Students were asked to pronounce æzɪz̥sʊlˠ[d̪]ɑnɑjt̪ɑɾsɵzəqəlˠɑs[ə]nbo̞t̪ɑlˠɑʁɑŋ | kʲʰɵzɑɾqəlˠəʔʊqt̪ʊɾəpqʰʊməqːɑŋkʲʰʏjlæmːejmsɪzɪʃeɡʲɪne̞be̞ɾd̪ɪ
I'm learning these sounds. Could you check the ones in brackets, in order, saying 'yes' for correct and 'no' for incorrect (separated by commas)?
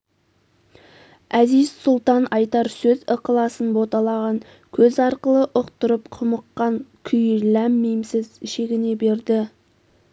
no, yes